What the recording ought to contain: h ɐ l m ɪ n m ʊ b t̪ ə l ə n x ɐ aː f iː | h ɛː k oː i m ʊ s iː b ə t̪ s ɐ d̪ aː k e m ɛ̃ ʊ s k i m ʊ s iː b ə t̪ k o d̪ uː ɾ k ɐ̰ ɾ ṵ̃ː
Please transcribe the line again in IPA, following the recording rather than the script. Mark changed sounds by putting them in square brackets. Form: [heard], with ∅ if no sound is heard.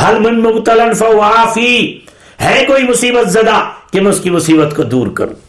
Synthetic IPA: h ɐ l m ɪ n m ʊ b t̪ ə l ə n [f] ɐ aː f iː | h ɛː k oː i m ʊ s iː b ə t̪ [z] ɐ d̪ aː k e m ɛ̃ ʊ s k i m ʊ s iː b ə t̪ k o d̪ uː ɾ k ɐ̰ ɾ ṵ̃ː